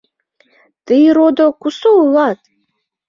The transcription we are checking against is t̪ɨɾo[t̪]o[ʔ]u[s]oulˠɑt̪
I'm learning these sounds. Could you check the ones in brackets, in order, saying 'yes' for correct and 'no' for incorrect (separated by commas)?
no, no, yes